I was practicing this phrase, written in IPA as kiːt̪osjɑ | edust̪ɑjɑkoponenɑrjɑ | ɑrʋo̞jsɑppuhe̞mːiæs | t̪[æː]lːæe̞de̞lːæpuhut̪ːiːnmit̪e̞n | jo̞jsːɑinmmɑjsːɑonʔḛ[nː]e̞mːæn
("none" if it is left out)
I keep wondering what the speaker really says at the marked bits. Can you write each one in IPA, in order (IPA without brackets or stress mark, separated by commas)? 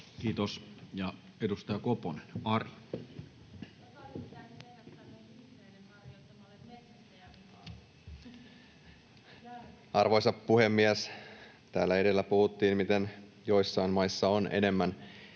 æː, n